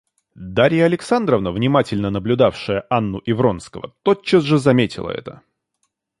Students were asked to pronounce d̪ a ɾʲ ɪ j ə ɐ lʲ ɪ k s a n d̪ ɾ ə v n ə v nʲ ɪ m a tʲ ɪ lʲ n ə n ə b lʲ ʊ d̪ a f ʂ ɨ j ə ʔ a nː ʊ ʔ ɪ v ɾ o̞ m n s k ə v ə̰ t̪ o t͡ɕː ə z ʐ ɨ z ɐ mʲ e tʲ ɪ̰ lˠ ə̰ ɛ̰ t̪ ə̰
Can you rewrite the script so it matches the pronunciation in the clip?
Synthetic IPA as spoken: d̪ a ɾʲ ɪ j ə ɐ lʲ ɪ k s a n d̪ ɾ ə v n ə v nʲ ɪ m a tʲ ɪ lʲ n ə n ə b lʲ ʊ d̪ a f ʂ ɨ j ə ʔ a nː ʊ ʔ ɪ v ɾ o̞ n s k ə v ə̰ t̪ o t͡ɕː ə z ʐ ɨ z ɐ mʲ e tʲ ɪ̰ lˠ ə̰ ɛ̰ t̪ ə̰